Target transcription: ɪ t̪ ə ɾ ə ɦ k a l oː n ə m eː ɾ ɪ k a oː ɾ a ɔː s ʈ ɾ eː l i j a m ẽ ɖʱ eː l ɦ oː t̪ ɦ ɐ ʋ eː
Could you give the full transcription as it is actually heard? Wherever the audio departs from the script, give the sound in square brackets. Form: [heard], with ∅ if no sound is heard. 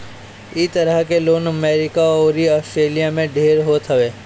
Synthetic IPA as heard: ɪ t̪ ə ɾ ə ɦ k [e] l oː n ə m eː ɾ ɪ k a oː ɾ [i] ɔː s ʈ ɾ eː l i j a m ẽ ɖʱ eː [ɾ] ɦ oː t̪ ɦ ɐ ʋ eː